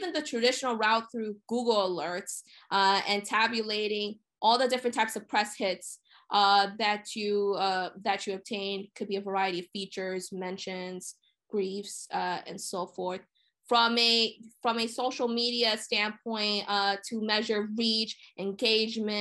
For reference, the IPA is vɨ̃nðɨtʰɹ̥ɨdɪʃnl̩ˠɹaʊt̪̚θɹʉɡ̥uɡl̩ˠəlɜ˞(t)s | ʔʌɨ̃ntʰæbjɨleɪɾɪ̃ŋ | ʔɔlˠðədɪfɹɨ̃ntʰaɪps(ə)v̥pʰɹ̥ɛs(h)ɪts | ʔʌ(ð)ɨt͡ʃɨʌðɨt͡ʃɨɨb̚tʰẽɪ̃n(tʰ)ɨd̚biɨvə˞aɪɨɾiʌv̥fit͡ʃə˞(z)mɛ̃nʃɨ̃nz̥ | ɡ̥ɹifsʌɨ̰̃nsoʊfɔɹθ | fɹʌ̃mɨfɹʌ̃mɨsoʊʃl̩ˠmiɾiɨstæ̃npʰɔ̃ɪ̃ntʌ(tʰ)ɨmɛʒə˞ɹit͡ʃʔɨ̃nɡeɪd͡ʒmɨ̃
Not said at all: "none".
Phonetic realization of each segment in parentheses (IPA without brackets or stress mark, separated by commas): t, ʌ, h, ð, kʰ, z, tʰ